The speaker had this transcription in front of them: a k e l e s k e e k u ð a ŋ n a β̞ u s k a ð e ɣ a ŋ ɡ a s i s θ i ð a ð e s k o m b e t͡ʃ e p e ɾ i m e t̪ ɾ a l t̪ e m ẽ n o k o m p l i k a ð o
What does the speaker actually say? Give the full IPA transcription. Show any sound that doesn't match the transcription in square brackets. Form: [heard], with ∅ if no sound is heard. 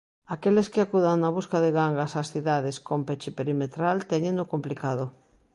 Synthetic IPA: a k e l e s k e [a] k u ð a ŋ n a β̞ u s k a ð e ɣ a ŋ ɡ a s [a] s θ i ð a ð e s k o m [p] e t͡ʃ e p e ɾ i m e t̪ ɾ a l t̪ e [ɲ] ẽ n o k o m p l i k a ð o

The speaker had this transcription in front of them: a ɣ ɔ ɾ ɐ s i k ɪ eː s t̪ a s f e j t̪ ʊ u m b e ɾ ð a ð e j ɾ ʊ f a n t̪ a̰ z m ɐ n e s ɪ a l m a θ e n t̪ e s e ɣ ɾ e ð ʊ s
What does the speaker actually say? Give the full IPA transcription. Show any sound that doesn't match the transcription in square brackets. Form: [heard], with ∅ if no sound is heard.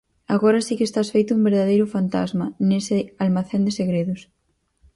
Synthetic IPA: a ɣ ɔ ɾ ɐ s i k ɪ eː s t̪ a s f e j t̪ ʊ u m b e ɾ ð a ð e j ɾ ʊ f a n t̪ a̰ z m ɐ n e s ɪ a l m a θ e n [d̪] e s e ɣ ɾ e ð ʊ s

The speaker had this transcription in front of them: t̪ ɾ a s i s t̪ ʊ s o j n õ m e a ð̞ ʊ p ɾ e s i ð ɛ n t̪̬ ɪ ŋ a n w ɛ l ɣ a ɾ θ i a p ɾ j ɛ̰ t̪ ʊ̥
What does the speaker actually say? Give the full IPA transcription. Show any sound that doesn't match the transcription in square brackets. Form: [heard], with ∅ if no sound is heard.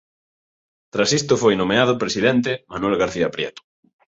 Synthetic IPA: t̪ ɾ a s i s t̪ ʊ [f] o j n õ m e a ð̞ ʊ p ɾ e s i ð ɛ n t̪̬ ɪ [m] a n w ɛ l ɣ a ɾ θ i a p ɾ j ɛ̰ t̪ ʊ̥

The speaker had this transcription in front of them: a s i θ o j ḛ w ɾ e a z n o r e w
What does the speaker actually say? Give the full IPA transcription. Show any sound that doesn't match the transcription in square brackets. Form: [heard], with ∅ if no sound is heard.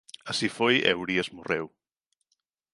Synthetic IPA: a s i [f] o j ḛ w ɾ [i] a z [m] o r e w

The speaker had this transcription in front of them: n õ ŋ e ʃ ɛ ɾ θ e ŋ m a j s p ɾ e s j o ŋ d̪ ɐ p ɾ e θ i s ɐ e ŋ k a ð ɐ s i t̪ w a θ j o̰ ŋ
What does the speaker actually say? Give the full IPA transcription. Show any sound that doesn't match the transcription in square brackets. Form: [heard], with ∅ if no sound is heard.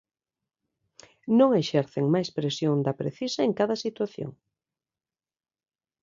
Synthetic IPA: n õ ŋ e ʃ ɛ ɾ θ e ŋ m a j s p ɾ e s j o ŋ d̪ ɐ p ɾ e θ i s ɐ e ŋ k a ð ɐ s i t̪ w a θ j o̰ ŋ

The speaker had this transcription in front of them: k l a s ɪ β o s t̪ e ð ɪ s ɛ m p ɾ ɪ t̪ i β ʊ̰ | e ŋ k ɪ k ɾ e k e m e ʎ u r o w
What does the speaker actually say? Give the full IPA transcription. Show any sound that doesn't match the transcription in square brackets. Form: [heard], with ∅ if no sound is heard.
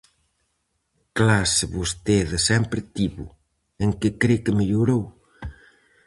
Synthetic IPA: k l a s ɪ β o s t̪ e ð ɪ s ɛ m p ɾ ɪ t̪ i β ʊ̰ | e ŋ k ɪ k ɾ e k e m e ʎ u [ɾ] o w

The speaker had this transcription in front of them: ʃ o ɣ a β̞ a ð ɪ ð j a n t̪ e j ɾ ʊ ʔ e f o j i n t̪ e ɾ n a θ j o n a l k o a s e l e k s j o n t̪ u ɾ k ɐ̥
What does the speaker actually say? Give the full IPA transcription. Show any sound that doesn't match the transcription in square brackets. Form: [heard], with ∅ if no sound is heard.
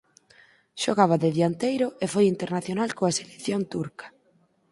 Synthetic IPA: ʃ o ɣ a β̞ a ð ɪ ð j a n t̪ e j ɾ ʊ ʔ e f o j i n t̪ e ɾ n a θ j o n a l k o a s e l e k [θ] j o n t̪ u ɾ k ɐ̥

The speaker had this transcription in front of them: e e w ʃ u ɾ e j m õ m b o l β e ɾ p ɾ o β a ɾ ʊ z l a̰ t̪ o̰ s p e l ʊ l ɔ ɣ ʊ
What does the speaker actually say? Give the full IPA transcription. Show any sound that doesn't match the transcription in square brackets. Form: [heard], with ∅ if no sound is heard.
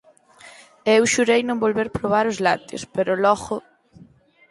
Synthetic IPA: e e w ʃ u ɾ e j [n] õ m b o l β e ɾ p ɾ o β a ɾ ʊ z l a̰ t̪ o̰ s p e [ɾ] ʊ l ɔ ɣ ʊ

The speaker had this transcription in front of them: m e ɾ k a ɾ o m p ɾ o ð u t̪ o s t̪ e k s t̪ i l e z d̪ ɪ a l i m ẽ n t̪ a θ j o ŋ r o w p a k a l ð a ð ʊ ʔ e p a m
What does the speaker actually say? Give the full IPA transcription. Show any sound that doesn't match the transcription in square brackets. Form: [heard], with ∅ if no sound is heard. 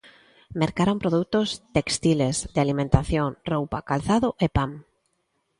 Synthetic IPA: m e ɾ k a ɾ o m p ɾ o ð u t̪ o s t̪ e k s t̪ i l e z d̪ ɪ a l i m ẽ n t̪ a θ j o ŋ r o w p a k a l [θ] a ð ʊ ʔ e p a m

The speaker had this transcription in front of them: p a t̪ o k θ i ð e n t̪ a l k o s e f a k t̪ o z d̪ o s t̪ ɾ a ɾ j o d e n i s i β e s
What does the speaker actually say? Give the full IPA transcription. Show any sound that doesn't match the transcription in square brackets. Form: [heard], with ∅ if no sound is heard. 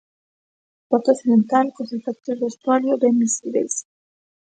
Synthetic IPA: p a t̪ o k θ i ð e n t̪ a l k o s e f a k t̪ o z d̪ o s t̪ ɾ a [l] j o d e [m] i s i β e s

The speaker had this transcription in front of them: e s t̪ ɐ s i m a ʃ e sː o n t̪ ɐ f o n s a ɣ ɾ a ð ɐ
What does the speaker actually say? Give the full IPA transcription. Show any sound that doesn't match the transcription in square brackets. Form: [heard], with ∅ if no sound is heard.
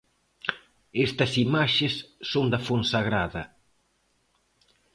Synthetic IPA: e s t̪ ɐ s i m a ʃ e sː o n [d̪] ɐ f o n s a ɣ ɾ a ð ɐ

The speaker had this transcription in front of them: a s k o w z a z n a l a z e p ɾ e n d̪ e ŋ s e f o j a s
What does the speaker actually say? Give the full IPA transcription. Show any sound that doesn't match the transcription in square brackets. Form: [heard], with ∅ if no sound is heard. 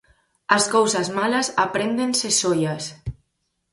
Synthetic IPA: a s k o w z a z [m] a l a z [a] p ɾ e n d̪ e [n] s e [s] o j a s

